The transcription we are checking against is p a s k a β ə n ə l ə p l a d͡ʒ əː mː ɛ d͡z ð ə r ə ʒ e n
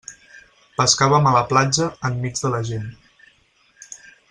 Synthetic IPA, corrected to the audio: p ə s k a β ə m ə l ə p l a d͡ʒ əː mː i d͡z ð ə l ə ʒ e n